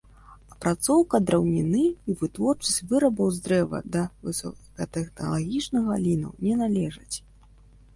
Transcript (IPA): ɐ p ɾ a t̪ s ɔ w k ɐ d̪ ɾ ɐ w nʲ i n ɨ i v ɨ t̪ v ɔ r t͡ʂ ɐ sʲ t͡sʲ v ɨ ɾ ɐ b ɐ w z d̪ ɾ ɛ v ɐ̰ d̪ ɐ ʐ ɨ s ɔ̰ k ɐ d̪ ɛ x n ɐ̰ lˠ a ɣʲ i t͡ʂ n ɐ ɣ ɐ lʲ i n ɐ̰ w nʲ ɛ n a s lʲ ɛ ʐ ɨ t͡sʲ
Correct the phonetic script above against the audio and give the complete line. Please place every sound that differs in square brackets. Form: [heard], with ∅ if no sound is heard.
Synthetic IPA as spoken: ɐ p ɾ a t̪ s ɔ w k ɐ d̪ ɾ ɐ w nʲ i n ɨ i v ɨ t̪ v ɔ r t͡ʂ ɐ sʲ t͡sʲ v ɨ ɾ ɐ b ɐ w z d̪ ɾ ɛ v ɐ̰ d̪ ɐ [v] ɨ s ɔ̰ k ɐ [t̪] ɛ x n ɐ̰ lˠ a ɣʲ i t͡ʂ n ɐ ɣ ɐ lʲ i n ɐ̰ w nʲ ɛ n a [∅] lʲ ɛ ʐ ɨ t͡sʲ